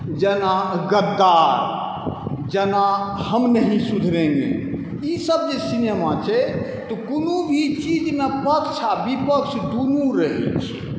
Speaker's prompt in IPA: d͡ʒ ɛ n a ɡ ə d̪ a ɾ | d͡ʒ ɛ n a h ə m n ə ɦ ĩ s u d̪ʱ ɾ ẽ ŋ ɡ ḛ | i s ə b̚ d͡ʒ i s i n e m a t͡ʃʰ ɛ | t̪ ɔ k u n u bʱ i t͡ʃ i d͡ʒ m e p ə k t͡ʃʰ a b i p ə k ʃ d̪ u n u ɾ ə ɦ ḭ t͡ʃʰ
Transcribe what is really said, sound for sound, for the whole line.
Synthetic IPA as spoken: d͡ʒ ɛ n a ɡ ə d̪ a ɾ | d͡ʒ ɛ n a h ə m n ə ɦ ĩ s u d̪ʱ ɾ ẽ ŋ ɡ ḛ | i s ə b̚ d͡ʒ e s i n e m a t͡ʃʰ ɛ | t̪ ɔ k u n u bʱ i t͡ʃ i d͡ʒ m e p ə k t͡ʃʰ a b i p ə k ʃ d̪ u n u ɾ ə ɦ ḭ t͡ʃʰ